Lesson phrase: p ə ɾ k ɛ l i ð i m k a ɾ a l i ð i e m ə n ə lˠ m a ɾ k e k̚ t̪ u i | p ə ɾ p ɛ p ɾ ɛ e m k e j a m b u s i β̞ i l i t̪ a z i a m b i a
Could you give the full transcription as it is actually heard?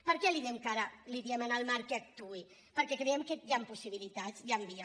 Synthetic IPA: p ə ɾ k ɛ l i ð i m k a ɾ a l i ð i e m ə n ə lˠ m a ɾ k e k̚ t̪ u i | p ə ɾ k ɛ k ɾ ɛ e m k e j a m p u s i β̞ i l i t̪ a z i a m b i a

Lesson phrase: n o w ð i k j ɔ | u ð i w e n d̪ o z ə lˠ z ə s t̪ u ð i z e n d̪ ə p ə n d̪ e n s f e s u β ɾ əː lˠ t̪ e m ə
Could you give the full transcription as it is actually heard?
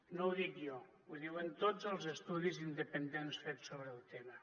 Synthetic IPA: n o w ð i k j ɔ | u ð i w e n t̪ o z ə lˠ z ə s t̪ u ð i z i n d̪ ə p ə n d̪ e n s f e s o β ɾ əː lˠ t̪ e m ə

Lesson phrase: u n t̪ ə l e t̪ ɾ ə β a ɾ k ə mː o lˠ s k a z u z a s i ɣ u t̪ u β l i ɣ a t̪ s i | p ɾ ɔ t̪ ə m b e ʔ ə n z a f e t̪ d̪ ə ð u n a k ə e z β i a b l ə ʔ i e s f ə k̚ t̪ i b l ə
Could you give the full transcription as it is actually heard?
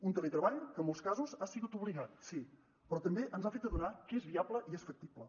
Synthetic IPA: u n t̪ ə l e t̪ ɾ ə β a ʎ k ə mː o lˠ s k a z u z a s i ɣ u t̪ u β l i ɣ a t̪ s i | p ɾ ɔ t̪ ə m b e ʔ ə n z a f e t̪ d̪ ə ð u n a k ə e z β i a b l ə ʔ i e s f ə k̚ t̪ i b l ə

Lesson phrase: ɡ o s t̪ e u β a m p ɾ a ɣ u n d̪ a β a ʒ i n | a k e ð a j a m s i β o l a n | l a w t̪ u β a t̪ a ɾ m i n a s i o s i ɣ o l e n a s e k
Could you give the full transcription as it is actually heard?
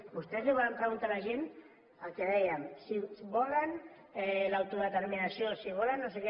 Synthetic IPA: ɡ u s t̪ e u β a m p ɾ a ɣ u n t̪ a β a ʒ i n | a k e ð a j a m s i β o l a n | l a w t̪ u β a t̪ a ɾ m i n a s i o s i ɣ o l a n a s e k

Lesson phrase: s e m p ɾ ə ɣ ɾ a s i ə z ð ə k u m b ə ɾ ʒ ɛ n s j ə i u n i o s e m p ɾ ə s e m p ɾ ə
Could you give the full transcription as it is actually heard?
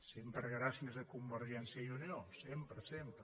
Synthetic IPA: s e m p ɾ ə ɣ ɾ a s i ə z ð ə k u m b ə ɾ ʒ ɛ n s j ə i u n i o s e m p ɾ ə s e m p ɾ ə

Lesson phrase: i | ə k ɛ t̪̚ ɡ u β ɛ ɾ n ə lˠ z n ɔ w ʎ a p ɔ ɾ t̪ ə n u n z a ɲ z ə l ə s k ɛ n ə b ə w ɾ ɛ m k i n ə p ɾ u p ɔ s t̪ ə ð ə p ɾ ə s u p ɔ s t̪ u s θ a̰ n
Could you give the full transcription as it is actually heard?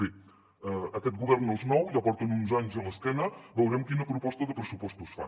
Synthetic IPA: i | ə k ɛ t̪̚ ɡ u β ɛ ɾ n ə lˠ z n ɔ w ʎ a p ɔ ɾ t̪ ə n u n z a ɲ z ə l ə s k ɛ n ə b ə w ɾ ɛ m k i n ə p ɾ u p ɔ s t̪ ə ð ə p ɾ ə s u p ɔ s t̪ u s f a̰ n

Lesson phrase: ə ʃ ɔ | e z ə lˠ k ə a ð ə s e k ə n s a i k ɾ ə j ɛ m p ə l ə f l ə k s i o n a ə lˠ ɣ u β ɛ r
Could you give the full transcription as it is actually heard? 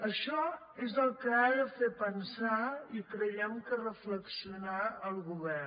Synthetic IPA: ə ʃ ɔ | e z ə lˠ k ə a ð ə f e p ə n s a i k ɾ ə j ɛ m k ə r ə f l ə k s i u n a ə lˠ ɣ u β ɛ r

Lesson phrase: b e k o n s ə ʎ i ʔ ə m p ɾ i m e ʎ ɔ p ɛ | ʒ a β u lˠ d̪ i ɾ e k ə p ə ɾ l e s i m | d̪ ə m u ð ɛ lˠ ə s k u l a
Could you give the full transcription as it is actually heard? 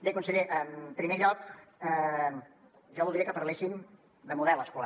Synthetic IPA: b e k u n s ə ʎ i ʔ ə m p ɾ i m e ʎ ɔ k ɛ | ʒ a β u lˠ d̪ i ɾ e k ə p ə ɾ l e s i m | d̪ ə m u ð ɛ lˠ ə s k u l a

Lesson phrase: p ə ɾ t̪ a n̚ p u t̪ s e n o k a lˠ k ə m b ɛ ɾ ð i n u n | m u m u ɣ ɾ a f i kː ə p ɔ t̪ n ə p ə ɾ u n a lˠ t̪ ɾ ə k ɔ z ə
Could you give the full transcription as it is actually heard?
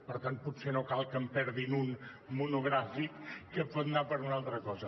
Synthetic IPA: p ə ɾ t̪ a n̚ p u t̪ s e n o k a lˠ k ə m p ɛ ɾ ð i n u n | m u n u ɣ ɾ a f i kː ə p ɔ t̪ n a p ə ɾ u n a lˠ t̪ ɾ ə k ɔ z ə

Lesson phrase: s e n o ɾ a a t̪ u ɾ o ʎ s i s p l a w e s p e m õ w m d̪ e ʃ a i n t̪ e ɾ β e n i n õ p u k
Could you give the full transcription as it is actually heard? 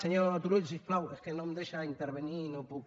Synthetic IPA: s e ɲ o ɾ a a t̪ u ɾ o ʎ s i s p l a w e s k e n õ m d̪ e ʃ a i n t̪ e ɾ β e n i n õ p u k

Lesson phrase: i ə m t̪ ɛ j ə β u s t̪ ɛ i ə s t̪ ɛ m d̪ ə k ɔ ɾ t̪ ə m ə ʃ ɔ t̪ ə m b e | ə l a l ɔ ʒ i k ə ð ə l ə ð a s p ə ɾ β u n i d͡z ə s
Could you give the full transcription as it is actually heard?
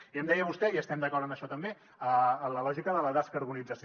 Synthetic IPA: i ə m d̪ ɛ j ə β u s t̪ ɛ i ə s t̪ ɛ m d̪ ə k ɔ ɾ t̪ ə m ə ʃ ɔ t̪ ə m b e | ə l ə l ɔ ʒ i k ə ð ə l ə ð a s k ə ɾ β u n i d͡z ə s

